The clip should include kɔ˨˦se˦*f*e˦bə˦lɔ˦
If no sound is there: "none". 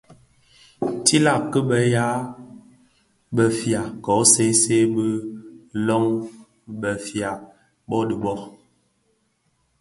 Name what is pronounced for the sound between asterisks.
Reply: s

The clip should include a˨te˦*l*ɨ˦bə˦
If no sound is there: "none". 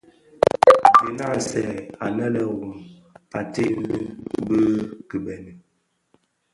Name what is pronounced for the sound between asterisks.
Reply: l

